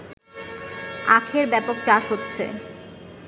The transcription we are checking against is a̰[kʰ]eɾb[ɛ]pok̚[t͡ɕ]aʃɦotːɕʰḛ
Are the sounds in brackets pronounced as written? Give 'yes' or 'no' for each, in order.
yes, yes, yes

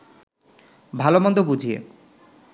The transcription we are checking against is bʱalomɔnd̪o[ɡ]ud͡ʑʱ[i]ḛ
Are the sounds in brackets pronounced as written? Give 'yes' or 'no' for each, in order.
no, yes

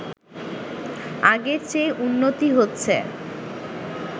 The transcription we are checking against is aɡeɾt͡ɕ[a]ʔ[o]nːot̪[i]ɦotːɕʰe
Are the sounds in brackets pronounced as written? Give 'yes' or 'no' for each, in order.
no, no, yes

